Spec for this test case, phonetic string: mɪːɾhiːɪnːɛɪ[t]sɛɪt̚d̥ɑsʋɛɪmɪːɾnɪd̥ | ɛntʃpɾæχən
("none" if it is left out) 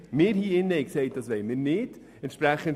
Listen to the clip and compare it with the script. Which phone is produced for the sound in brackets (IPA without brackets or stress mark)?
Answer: k